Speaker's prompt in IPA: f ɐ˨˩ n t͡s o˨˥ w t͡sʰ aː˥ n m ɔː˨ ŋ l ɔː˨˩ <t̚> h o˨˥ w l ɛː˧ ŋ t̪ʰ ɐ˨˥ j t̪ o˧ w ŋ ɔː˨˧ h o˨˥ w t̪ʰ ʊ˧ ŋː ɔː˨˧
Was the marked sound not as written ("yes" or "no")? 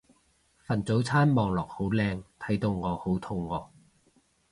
yes